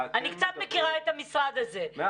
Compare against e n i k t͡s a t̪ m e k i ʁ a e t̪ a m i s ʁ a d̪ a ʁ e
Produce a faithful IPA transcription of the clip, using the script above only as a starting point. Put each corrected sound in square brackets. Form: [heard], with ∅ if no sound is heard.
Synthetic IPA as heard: [a] n i k t͡s a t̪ m e k i ʁ a e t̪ a m i s ʁ a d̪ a [z] e